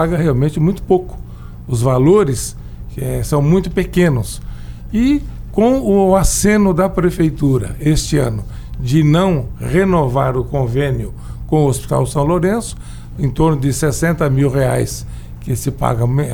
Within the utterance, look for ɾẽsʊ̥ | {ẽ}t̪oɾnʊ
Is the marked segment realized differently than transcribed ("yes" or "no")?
no